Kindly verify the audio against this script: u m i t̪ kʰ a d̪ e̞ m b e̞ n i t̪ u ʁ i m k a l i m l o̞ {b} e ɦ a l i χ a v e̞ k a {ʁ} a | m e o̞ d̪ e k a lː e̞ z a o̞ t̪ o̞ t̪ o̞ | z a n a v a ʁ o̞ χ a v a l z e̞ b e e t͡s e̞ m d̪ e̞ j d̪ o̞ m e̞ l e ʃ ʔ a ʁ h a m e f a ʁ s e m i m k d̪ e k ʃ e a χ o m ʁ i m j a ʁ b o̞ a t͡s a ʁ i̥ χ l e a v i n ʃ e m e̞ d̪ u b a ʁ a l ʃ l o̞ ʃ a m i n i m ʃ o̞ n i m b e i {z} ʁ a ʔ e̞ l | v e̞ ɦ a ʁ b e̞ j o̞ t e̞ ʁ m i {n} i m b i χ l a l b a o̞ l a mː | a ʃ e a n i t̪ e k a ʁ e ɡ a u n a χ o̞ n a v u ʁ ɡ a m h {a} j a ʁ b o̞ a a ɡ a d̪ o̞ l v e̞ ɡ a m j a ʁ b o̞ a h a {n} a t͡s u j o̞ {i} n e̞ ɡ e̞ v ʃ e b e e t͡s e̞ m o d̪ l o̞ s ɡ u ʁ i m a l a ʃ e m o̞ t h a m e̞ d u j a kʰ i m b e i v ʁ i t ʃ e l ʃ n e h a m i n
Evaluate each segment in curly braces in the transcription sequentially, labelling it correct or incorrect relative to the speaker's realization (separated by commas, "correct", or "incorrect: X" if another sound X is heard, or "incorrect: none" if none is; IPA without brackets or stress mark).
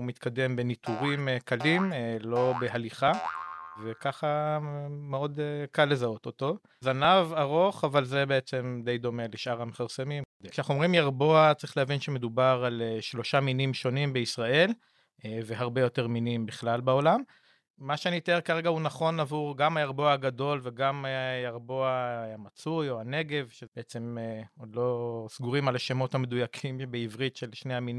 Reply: correct, incorrect: χ, incorrect: s, correct, correct, incorrect: m, incorrect: a